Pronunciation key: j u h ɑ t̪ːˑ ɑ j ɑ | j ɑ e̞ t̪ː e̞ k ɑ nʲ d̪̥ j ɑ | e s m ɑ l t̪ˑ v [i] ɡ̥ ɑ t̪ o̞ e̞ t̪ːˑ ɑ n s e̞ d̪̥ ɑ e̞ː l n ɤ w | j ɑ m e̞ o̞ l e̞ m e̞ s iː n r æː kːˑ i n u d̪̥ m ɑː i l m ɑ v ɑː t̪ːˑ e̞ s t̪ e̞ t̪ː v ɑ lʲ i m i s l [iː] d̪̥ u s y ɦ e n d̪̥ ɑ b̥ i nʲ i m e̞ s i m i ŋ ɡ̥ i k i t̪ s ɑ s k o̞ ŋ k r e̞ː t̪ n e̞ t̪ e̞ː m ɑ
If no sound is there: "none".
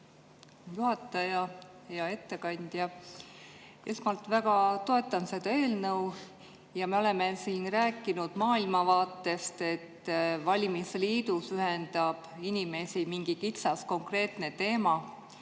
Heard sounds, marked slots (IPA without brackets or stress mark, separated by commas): æ, iː